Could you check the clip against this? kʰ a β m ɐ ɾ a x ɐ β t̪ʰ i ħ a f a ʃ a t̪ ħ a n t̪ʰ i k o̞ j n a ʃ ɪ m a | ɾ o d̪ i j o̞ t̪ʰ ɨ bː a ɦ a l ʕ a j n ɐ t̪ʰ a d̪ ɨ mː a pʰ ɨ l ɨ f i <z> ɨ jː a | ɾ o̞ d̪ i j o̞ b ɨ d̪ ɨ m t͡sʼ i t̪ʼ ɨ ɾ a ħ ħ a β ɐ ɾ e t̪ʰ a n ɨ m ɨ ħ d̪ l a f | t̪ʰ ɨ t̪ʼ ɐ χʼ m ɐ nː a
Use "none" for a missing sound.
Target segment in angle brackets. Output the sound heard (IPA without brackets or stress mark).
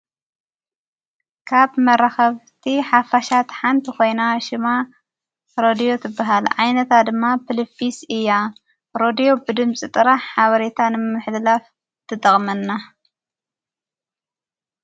s